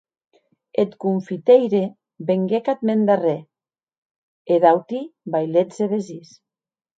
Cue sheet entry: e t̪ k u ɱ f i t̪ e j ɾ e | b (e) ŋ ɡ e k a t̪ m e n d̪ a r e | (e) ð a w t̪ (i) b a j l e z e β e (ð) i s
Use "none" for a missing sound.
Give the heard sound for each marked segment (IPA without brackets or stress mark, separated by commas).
e, e, i, z